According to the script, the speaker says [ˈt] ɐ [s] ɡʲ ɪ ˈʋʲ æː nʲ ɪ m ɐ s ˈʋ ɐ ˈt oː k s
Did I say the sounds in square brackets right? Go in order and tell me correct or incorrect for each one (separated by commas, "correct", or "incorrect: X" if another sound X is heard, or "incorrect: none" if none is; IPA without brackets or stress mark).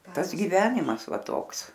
correct, correct